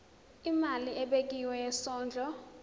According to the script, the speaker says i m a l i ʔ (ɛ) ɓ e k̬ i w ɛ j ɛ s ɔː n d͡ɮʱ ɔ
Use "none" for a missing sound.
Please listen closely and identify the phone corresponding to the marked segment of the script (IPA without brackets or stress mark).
ɛ